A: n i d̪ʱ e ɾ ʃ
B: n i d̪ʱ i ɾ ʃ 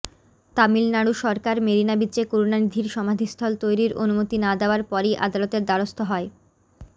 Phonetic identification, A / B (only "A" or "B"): B